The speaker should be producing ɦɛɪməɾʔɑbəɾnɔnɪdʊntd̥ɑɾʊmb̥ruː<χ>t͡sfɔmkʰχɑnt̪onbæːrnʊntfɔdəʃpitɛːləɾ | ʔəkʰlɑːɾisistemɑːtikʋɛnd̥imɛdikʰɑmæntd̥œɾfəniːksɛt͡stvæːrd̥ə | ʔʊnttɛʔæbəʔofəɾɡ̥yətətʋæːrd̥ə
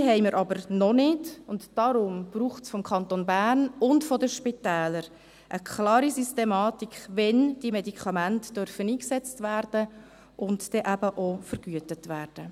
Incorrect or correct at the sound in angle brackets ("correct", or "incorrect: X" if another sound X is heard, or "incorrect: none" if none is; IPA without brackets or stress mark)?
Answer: correct